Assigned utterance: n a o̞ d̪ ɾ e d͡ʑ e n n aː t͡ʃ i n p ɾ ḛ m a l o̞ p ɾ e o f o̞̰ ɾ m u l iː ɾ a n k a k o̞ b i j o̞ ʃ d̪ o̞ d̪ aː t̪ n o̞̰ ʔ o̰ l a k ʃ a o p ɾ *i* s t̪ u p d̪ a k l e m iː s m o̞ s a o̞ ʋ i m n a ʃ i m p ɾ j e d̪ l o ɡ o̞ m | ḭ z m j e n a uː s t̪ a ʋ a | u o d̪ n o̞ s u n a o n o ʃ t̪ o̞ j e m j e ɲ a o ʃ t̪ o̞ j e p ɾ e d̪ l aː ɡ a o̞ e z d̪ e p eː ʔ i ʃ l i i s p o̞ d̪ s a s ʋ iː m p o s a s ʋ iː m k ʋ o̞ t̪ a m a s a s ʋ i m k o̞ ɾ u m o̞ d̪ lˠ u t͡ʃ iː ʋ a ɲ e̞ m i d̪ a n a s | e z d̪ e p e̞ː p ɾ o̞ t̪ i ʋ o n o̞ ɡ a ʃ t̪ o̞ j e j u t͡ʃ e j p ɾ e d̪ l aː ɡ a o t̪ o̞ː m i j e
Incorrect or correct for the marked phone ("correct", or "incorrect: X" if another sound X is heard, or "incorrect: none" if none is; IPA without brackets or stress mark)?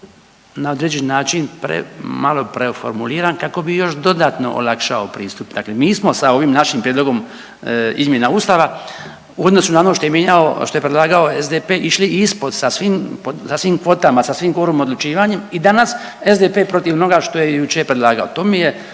incorrect: iː